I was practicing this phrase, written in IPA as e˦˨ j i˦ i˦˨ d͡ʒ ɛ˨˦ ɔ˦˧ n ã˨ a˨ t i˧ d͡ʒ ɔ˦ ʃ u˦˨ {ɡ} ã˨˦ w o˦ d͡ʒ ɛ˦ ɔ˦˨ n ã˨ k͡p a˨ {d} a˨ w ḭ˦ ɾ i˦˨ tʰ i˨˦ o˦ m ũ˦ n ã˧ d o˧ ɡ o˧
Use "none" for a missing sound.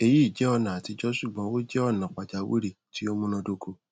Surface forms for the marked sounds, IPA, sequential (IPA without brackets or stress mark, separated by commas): ɡ͡b, d͡ʒ